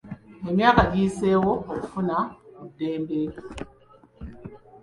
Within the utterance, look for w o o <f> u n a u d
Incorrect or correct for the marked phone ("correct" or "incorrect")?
correct